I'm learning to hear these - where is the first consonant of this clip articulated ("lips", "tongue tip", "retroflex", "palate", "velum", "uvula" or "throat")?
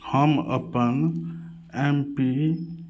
throat